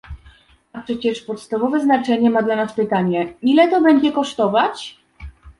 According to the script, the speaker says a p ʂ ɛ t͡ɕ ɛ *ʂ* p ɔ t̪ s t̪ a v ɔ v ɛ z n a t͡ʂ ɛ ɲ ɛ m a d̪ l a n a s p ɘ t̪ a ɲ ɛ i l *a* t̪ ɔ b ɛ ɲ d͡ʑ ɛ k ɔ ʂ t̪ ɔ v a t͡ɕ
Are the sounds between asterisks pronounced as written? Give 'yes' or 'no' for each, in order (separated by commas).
yes, no